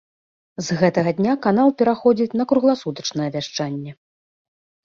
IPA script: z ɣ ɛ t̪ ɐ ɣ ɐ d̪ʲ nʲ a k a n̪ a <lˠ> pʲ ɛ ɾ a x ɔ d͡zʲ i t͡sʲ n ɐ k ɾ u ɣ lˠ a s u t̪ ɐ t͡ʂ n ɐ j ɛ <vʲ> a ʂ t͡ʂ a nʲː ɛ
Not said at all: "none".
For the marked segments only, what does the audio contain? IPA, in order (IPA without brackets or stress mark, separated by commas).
lˠ, vʲ